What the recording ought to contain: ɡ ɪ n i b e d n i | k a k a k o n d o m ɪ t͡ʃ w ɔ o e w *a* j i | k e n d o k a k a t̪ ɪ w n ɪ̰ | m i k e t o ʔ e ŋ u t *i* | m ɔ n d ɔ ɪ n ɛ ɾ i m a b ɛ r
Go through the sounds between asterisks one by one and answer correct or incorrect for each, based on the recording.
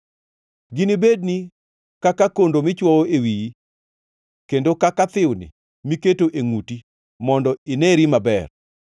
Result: incorrect, correct

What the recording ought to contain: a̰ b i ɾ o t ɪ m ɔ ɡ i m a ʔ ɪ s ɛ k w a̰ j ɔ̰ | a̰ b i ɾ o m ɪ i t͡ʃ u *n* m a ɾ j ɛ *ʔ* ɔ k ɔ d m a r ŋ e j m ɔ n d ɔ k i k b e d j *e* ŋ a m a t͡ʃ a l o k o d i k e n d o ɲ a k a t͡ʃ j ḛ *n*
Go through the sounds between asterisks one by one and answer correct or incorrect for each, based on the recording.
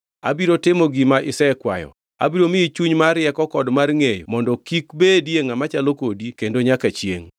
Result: incorrect, incorrect, correct, incorrect

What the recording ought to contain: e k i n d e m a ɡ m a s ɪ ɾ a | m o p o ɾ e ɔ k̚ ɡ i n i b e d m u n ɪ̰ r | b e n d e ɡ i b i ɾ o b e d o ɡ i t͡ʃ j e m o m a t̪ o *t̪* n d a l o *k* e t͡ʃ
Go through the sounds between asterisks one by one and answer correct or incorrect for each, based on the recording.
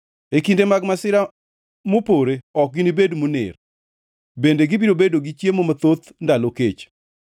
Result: correct, correct

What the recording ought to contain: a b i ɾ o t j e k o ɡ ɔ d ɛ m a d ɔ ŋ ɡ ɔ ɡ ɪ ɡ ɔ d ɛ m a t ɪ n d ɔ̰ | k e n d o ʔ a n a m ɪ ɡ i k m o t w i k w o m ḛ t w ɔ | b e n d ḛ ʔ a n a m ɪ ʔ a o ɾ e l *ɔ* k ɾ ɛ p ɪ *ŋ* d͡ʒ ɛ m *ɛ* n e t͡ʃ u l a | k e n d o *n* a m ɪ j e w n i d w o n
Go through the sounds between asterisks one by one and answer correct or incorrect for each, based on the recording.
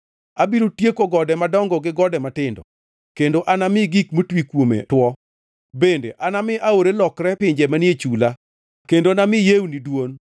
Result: correct, incorrect, incorrect, correct

